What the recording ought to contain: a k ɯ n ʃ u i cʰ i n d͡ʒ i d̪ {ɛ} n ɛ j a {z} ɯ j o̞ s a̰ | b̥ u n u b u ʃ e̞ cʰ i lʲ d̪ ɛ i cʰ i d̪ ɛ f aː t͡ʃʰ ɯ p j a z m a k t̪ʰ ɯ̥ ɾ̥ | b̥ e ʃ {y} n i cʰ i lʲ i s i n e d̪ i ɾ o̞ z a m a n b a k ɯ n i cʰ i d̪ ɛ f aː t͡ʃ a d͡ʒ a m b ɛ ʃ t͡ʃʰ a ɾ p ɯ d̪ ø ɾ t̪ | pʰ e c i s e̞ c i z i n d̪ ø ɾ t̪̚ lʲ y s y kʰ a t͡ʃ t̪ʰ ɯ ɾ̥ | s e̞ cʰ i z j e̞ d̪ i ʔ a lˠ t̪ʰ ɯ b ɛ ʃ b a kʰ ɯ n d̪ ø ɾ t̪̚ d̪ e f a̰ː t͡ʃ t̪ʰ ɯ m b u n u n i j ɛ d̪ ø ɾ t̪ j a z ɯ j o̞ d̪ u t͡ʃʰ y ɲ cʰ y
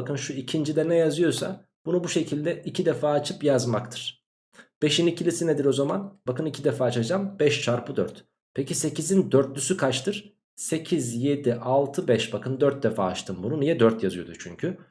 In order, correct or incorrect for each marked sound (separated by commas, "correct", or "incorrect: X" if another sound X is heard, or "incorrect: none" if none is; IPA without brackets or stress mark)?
correct, correct, incorrect: i